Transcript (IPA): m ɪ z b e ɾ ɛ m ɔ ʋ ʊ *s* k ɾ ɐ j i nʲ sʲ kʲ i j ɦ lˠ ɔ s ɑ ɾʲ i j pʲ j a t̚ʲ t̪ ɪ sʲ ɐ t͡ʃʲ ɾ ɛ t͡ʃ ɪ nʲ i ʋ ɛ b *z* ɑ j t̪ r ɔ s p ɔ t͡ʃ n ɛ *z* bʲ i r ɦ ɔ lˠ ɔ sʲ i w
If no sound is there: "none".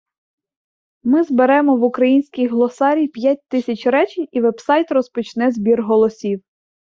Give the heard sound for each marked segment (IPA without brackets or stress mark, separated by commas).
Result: none, s, z